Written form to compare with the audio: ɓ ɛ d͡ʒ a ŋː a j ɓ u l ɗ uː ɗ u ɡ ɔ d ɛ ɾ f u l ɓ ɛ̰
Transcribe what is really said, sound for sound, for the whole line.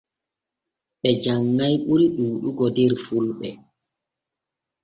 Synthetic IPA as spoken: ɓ ɛ d͡ʒ a ŋː a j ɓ u l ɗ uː ɗ u ɡ ɔ d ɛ ɾ f u l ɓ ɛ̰